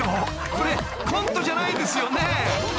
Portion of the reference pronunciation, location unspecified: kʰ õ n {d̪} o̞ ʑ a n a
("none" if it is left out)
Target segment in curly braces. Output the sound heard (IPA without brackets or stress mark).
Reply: t̪